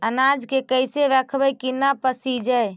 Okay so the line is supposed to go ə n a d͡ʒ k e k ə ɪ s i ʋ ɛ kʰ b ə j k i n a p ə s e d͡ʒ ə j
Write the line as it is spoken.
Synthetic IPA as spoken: ə n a d͡ʒ k e k ə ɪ s e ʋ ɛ kʰ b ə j k i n a p ə s i d͡ʒ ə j